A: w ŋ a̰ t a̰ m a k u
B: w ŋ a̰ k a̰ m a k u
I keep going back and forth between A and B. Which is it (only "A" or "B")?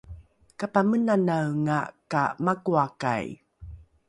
B